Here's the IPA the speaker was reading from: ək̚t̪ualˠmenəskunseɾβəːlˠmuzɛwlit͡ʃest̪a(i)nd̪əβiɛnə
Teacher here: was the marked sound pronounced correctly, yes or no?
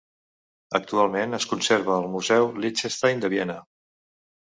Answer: no